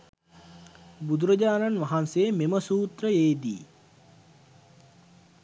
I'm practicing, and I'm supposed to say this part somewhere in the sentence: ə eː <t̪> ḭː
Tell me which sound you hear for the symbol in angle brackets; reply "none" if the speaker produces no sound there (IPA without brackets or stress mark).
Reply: d̪